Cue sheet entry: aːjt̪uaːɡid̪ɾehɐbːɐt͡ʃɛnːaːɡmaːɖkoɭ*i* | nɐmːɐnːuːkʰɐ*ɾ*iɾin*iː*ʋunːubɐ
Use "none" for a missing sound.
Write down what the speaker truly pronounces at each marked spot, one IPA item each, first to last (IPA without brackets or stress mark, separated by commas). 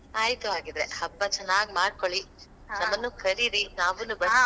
i, ɾ, aː